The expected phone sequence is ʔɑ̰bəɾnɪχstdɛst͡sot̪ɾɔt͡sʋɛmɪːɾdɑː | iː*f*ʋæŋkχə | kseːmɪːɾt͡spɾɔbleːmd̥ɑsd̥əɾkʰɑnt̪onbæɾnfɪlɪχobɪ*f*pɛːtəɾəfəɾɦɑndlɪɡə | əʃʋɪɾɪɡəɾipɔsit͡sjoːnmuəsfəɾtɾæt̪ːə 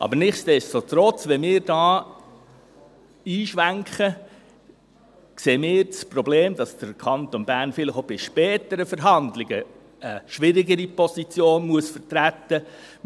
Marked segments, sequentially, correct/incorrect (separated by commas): incorrect, incorrect